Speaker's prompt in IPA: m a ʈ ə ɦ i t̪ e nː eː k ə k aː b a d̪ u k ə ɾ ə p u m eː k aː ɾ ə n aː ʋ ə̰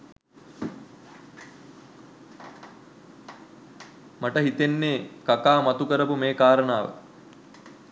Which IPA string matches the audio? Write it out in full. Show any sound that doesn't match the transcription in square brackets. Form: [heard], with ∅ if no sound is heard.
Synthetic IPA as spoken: m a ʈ ə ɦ i t̪ e nː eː k [a] k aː [m] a [t̪] u k ə ɾ ə p u m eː k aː ɾ ə n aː ʋ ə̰